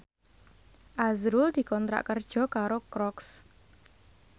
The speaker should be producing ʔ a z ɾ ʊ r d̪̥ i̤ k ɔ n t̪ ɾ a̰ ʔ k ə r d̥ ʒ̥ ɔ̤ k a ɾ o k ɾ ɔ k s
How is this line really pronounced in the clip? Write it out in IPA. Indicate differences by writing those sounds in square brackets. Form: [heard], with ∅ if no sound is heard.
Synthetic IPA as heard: ʔ a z ɾ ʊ [l] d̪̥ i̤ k ɔ n t̪ ɾ a̰ ʔ k ə r d̥ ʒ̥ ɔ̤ k a ɾ o k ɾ ɔ k s